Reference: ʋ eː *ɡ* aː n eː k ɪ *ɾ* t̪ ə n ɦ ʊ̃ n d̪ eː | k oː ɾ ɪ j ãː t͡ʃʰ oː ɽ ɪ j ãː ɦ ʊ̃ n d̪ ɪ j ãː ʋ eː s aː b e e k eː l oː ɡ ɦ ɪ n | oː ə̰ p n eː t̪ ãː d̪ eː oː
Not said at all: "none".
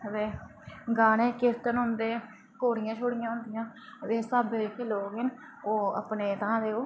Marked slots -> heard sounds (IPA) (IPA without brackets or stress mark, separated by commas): ɡ, ɾ